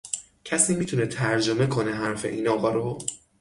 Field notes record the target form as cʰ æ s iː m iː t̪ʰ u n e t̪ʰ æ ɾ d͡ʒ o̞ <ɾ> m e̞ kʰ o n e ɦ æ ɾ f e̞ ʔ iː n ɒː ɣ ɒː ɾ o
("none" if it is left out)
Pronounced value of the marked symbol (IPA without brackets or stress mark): none